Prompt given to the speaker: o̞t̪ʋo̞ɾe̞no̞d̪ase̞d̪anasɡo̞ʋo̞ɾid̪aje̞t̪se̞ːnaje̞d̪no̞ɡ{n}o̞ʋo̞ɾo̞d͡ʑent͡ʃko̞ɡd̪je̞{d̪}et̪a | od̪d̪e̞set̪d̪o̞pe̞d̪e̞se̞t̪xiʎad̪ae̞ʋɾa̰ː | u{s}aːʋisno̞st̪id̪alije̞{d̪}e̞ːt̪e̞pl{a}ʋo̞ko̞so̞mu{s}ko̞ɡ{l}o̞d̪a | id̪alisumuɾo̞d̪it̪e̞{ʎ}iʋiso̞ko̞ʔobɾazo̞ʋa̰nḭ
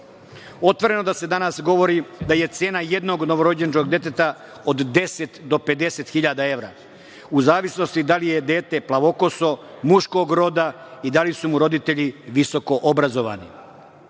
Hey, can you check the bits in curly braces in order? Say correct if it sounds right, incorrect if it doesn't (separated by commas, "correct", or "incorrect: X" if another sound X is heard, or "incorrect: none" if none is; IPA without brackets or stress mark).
correct, incorrect: t̪, incorrect: z, correct, correct, incorrect: ʃ, incorrect: ɾ, correct